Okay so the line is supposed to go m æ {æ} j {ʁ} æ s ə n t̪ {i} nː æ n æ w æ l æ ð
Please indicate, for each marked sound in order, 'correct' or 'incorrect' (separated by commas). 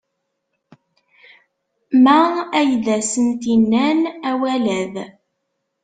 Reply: correct, incorrect, correct